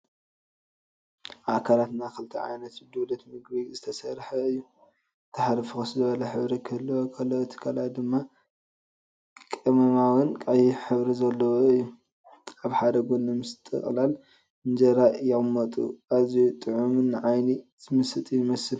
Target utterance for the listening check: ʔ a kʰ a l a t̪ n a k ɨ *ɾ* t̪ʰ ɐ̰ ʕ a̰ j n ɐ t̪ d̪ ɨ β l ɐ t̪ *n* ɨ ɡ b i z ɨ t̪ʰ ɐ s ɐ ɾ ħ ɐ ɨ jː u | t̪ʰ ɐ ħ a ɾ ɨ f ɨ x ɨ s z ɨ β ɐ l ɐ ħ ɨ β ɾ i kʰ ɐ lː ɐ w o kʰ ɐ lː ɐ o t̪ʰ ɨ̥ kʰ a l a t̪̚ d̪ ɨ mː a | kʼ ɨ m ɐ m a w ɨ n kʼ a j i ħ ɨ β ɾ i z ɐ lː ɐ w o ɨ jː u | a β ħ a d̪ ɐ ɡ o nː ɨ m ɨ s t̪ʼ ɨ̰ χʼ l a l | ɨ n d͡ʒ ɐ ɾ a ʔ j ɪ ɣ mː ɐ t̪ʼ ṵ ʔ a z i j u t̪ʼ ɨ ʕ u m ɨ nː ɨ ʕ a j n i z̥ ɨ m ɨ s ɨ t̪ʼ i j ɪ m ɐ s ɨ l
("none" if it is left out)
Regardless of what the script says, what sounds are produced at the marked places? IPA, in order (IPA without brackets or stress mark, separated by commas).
l, m